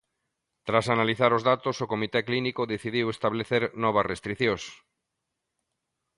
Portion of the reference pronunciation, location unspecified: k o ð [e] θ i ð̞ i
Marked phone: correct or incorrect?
correct